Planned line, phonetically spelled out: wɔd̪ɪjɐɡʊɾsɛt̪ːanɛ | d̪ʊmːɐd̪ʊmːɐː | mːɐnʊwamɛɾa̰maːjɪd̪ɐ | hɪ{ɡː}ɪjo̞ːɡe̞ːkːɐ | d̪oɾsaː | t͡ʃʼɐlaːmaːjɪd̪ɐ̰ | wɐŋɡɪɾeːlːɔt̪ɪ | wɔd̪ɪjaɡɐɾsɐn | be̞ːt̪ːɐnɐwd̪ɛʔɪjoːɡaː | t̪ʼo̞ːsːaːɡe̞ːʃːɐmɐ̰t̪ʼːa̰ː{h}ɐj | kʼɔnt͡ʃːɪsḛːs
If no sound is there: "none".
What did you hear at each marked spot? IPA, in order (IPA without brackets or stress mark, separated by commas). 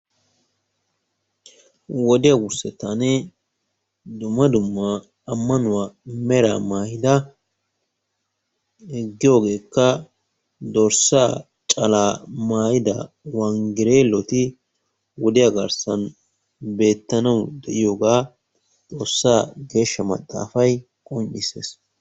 ɡː, f